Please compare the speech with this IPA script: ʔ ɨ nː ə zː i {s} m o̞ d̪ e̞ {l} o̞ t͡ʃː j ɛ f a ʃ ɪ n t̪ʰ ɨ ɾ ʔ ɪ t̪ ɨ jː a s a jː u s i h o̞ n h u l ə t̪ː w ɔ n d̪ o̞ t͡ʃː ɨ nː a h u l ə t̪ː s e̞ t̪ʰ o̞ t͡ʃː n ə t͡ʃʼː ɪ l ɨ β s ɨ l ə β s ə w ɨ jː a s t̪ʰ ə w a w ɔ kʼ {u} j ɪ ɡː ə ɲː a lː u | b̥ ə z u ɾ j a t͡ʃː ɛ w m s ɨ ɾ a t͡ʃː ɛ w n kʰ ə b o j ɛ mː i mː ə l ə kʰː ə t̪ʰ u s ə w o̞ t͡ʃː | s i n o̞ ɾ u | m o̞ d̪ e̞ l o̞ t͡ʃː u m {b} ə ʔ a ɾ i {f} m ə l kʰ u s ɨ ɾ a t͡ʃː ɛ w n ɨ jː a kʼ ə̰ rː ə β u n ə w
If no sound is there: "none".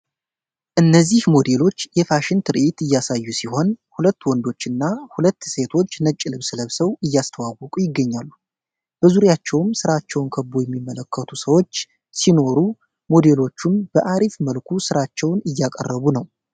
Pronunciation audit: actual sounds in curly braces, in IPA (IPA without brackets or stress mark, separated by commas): h, l, u, b, f